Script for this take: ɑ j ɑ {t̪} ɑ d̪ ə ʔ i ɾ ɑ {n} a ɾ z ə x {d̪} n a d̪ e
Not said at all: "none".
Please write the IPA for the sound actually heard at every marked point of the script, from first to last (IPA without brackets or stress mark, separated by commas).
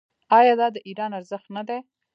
d̪, n, t̪